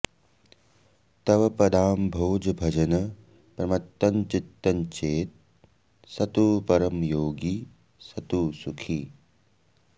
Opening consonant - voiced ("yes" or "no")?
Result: no